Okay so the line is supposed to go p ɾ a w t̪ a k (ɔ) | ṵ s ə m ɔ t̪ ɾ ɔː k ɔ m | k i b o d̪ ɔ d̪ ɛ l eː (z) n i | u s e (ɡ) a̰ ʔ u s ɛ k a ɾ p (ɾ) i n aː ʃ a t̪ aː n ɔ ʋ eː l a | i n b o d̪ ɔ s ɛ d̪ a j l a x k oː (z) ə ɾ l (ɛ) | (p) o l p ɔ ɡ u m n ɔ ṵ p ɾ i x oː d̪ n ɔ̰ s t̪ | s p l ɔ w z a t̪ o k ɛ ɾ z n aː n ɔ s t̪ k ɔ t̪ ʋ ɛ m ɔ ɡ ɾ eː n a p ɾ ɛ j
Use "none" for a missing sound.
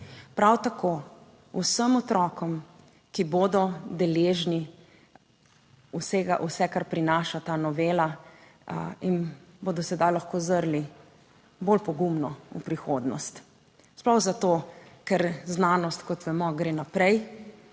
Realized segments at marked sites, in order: o, ʒ, ɡ, ɾ, z, i, b

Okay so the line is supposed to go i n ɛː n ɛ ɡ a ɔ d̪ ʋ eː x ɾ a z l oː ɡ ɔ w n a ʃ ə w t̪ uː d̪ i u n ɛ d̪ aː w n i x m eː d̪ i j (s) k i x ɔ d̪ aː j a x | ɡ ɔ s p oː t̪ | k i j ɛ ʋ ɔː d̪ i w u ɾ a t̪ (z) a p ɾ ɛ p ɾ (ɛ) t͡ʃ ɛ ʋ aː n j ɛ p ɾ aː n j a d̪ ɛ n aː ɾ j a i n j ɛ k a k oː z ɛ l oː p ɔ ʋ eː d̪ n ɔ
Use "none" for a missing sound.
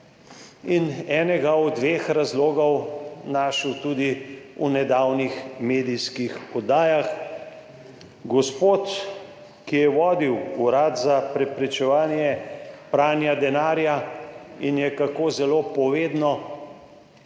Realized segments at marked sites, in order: s, z, ɛ

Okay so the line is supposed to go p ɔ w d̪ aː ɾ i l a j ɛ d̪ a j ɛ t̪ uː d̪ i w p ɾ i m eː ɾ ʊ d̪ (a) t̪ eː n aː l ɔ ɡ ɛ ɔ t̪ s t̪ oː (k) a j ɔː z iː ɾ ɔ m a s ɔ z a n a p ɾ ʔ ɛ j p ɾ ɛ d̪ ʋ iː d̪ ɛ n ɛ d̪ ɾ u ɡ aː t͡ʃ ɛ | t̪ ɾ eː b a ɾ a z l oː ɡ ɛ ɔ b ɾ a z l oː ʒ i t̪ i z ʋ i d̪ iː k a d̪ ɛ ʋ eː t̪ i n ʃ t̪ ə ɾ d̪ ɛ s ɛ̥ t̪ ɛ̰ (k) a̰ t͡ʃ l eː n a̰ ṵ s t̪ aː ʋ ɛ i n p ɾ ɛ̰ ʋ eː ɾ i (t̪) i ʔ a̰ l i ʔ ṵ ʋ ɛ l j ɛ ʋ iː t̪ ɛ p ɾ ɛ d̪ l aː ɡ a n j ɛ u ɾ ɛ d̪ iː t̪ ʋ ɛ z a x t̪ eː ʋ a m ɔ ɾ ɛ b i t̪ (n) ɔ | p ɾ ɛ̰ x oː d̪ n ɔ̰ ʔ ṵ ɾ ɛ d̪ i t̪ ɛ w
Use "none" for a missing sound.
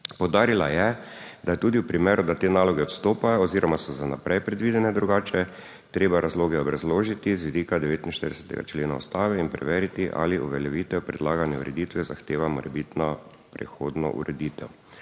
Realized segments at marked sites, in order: a, p, ɡ, t̪, n

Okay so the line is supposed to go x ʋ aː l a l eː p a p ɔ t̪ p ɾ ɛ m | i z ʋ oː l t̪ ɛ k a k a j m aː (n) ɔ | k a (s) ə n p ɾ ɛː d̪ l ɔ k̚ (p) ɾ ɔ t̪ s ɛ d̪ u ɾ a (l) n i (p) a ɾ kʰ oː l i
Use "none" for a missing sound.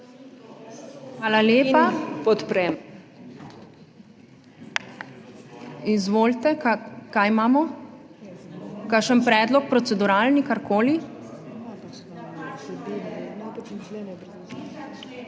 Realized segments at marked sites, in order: m, ʃ, p, l, k

